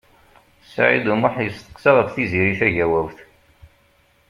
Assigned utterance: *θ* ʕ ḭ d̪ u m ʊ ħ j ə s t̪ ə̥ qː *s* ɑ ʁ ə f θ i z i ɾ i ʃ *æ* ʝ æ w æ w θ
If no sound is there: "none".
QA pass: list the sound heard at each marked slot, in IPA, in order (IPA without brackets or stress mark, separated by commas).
s, s, æ